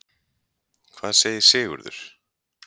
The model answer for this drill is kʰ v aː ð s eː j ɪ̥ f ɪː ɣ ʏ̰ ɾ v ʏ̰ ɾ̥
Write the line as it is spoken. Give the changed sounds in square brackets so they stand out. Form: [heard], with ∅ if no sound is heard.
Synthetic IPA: kʰ v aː ð s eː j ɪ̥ [s] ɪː ɣ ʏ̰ ɾ [ð] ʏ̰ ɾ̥

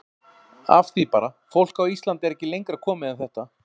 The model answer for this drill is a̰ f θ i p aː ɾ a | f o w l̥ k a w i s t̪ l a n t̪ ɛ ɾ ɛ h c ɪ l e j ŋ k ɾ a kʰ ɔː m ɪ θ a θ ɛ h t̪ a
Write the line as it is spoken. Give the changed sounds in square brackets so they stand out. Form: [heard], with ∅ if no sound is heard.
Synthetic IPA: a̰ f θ i p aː ɾ a | f o w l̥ k a w i s t̪ l a n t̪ ɛ ɾ ɛ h c ɪ l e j ŋ k ɾ a kʰ ɔː m ɪ [ð] a θ ɛ h t̪ a

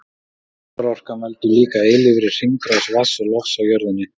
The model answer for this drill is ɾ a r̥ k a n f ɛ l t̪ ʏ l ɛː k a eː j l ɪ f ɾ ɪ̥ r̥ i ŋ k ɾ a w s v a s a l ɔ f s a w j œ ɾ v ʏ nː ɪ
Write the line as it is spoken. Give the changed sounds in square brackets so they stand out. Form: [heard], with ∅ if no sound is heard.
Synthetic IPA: ɾ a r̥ k a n [v] ɛ l t̪ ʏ l [iː] k a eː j l ɪ [v] ɾ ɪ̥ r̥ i ŋ k ɾ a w s v a s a l ɔ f s a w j œ ɾ [ð] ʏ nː ɪ

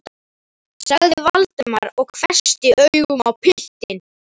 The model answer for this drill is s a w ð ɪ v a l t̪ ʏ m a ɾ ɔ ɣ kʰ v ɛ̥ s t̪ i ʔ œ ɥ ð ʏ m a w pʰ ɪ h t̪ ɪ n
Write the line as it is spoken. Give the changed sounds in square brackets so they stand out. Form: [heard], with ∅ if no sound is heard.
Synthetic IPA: s a [ɣ] ð ɪ v a l t̪ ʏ m a ɾ ɔ ɣ kʰ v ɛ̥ s t̪ [ɪ] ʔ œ ɥ [ɣ] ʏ m a w pʰ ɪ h t̪ ɪ n

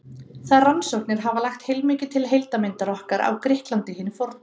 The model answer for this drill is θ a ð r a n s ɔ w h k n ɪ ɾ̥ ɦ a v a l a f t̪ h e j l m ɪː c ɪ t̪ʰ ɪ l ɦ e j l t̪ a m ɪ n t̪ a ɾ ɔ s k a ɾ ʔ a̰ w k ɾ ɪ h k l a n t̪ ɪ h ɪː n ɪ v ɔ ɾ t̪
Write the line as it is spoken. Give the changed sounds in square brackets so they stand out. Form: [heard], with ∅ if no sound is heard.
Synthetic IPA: θ a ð r a n s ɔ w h k n ɪ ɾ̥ ɦ a v a l a [x] t̪ h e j l m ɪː c ɪ t̪ʰ ɪ l ɦ e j l t̪ a m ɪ n t̪ a ɾ ɔ [h] k a ɾ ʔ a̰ w k ɾ ɪ h k l a n t̪ ɪ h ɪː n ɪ [f] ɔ ɾ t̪

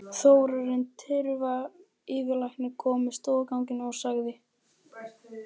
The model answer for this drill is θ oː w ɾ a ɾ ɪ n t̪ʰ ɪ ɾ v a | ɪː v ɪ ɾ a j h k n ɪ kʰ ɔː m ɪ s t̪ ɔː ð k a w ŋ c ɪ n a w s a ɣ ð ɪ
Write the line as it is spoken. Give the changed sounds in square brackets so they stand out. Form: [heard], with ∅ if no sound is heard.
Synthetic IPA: θ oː w ɾ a ɾ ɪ n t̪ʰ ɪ ɾ v a | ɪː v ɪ [l] a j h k n ɪ kʰ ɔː m ɪ s t̪ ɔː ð k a w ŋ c ɪ n a w s a ɣ ð ɪ

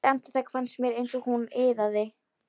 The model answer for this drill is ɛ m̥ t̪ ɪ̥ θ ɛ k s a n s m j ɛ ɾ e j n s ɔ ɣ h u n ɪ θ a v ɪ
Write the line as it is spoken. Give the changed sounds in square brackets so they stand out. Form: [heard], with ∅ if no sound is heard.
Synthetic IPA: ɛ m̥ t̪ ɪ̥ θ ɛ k [f] a n s m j ɛ ɾ e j n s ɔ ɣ h u n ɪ [ð] a [ð] ɪ

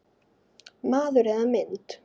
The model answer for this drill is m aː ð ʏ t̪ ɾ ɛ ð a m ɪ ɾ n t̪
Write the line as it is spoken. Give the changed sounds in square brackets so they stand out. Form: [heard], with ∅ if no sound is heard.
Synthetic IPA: m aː ð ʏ [∅] ɾ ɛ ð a m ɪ [∅] n t̪

